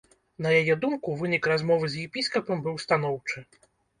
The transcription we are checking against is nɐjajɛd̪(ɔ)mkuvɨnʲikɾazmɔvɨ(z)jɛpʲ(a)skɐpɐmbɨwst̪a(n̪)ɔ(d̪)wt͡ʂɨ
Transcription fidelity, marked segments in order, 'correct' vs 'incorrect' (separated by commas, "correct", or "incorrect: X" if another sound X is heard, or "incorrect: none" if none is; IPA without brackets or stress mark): incorrect: u, correct, incorrect: i, correct, incorrect: none